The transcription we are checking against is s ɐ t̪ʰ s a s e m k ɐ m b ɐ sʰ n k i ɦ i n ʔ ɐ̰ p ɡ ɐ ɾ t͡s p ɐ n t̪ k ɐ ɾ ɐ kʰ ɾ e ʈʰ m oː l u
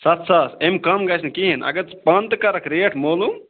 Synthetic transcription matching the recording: s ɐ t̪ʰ s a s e m k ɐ m ɡ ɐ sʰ n k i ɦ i n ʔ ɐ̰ ɡ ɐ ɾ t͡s p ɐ n t̪ k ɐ ɾ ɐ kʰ ɾ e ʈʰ m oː l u